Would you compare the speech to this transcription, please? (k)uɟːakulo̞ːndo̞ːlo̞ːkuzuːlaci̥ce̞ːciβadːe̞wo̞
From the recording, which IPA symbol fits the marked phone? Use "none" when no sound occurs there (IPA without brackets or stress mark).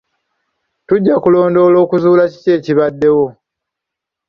t